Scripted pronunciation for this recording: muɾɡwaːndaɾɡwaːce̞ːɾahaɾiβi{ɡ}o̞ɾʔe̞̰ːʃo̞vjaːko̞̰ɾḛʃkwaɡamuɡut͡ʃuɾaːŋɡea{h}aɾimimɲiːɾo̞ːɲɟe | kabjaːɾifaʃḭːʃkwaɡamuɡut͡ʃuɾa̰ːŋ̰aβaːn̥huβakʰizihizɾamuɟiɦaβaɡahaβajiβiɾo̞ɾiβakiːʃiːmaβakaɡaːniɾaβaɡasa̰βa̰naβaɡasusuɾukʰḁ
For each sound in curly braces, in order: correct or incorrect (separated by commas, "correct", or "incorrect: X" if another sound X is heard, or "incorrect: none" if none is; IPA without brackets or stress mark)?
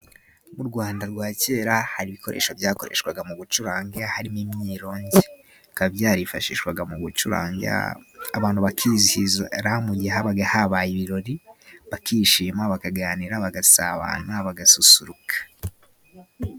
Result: incorrect: k, correct